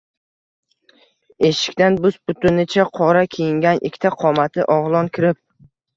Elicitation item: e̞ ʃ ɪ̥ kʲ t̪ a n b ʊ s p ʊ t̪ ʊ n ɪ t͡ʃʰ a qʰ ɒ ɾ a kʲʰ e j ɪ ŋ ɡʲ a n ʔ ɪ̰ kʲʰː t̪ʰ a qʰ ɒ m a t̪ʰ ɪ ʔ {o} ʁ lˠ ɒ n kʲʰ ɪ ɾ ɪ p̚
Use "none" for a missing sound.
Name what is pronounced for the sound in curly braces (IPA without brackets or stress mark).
ɒ